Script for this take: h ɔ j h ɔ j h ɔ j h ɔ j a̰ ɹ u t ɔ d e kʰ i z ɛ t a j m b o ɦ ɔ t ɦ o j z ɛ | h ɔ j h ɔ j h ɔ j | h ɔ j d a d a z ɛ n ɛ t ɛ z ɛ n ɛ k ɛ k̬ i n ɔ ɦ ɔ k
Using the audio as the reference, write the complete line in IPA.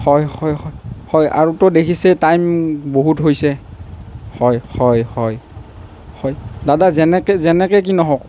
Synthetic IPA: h ɔ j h ɔ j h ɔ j h ɔ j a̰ ɹ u t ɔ d e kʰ i s ɛ t a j m b o ɦ u t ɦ o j s ɛ | h ɔ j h ɔ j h ɔ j | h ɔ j d a d a z ɛ n ɛ k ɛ z ɛ n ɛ k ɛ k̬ i n ɔ ɦ ɔ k

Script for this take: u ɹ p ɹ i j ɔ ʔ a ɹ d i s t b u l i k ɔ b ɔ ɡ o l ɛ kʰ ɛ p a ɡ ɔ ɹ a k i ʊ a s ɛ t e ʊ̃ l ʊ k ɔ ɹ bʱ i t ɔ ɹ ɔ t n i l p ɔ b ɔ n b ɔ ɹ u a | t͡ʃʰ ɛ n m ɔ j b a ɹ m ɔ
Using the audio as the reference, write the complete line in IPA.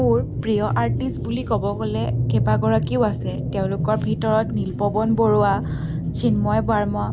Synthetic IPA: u ɹ p ɹ i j ɔ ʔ a ɹ t i s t b u l i k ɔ b ɔ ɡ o l ɛ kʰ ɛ p a ɡ ɔ ɹ a k i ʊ a s ɛ t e ʊ̃ l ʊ k ɔ ɹ bʱ i t ɔ ɹ ɔ t n i l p ɔ b ɔ n b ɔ ɹ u a | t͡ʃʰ i n m ɔ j b a ɹ m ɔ

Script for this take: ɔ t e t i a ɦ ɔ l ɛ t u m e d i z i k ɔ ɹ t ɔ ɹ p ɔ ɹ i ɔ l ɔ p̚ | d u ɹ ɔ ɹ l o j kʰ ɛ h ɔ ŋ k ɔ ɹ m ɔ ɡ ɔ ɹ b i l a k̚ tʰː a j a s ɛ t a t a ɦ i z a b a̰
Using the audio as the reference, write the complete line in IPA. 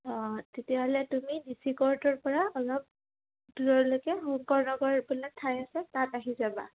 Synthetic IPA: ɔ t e t i a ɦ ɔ l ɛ t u m i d i s i k ɔ ɹ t ɔ ɹ p ɔ ɹ a ɔ l ɔ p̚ | d u ɹ ɔ ɹ l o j k ɛ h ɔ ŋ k ɔ ɹ n ɔ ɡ ɔ ɹ b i l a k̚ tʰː a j a s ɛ t a t a ɦ i z a b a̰

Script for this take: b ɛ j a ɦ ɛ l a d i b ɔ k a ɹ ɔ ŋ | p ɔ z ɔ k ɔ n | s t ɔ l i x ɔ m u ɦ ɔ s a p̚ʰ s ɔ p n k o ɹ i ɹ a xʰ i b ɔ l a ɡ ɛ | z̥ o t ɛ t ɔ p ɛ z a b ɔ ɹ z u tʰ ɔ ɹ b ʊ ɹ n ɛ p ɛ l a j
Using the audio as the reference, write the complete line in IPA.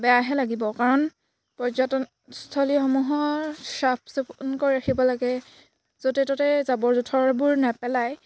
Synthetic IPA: b ɛ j a ɦ ɛ l a ɡ i b ɔ k a ɹ ɔ n | p ɔ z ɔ t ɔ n | s tʰ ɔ l i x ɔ m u ɦ ɔ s a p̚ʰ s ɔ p n k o ɹ i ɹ a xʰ i b ɔ l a ɡ ɛ | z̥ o t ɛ t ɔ t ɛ z a b ɔ ɹ z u tʰ ɔ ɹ b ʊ ɹ n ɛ p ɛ l a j

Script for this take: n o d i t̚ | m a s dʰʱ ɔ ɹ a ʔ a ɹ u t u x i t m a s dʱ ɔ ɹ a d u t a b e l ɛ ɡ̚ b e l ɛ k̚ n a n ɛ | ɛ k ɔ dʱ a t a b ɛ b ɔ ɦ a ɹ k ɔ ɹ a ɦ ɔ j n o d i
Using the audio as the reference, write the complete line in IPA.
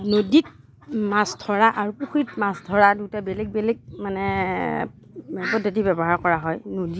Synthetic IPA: n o d i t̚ | m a s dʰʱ ɔ ɹ a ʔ a ɹ u p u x i t m a s dʱ ɔ ɹ a d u t a b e l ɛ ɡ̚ b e l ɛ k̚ m a n ɛ | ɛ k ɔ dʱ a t i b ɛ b ɔ ɦ a ɹ k ɔ ɹ a ɦ ɔ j n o d i

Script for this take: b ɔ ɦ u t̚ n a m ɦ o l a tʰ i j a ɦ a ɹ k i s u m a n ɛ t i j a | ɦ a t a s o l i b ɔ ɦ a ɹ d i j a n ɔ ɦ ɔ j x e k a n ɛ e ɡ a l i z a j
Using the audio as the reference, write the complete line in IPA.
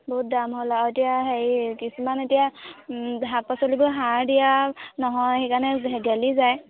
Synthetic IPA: b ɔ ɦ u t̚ d a m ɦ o l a t i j a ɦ e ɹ k i s u m a n e t i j a | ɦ a p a s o l i b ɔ ɦ a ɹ d i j a n ɔ ɦ ɔ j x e k a n ɛ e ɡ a l i z a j

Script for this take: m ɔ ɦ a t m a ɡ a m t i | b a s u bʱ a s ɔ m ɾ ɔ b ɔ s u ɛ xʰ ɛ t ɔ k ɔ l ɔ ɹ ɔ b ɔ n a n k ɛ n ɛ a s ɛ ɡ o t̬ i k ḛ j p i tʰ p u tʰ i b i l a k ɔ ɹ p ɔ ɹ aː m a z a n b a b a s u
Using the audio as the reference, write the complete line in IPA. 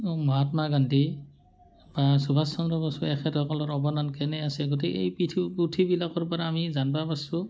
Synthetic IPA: m ɔ ɦ a t m a ɡ a n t i | b a s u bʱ a s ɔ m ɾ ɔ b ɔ s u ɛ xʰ ɛ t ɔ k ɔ l ɔ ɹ ɔ b ɔ n a n k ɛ n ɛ a s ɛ ɡ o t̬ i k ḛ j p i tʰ p u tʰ i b i l a k ɔ ɹ p ɔ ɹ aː m i z a n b a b a s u

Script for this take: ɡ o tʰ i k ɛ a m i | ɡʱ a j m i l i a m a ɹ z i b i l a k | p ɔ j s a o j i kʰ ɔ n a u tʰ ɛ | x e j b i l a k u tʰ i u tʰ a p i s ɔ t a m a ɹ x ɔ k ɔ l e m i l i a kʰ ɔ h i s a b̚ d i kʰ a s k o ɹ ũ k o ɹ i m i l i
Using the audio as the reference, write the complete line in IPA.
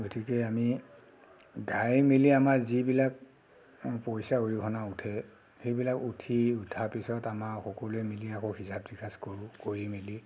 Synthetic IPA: ɡ o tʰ i k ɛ a m i | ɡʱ a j m i l i a m a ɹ z i b i l a k | p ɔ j s a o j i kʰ ɔ n a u tʰ ɛ | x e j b i l a k u tʰ i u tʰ a p i s ɔ t a m a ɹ x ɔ k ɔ l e m i l i a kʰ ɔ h i s a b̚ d i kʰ a s k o ɹ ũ k o ɹ i m i l i

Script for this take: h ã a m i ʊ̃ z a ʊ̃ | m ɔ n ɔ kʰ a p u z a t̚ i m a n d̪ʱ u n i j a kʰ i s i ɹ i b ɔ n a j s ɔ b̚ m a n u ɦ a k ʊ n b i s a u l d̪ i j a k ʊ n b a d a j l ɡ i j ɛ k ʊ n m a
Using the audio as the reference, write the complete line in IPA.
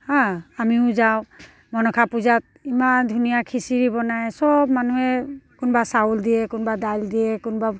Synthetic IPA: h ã a m i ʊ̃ z a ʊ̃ | m ɔ n ɔ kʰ a p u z a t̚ i m a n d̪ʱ u n i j a kʰ i s i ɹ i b ɔ n a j s ɔ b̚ m a n u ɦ ɛ k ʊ n b a s a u l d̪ i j ɛ k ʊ n b a d a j l d i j ɛ k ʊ n b a

